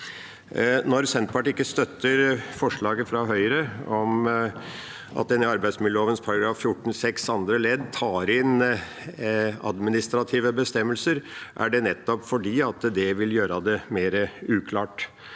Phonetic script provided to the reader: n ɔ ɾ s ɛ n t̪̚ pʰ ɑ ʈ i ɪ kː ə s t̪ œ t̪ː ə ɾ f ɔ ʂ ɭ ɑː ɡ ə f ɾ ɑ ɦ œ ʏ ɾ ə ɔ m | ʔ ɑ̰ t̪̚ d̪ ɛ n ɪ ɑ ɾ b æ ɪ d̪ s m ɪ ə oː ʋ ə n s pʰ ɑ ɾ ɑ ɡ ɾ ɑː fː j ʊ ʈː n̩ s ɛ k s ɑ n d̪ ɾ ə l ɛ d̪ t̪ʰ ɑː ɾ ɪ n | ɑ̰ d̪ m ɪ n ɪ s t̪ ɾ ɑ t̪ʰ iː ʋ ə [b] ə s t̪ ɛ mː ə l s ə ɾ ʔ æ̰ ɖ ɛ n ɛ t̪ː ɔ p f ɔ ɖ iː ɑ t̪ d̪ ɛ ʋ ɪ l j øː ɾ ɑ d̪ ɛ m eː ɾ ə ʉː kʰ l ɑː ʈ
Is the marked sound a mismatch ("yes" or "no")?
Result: no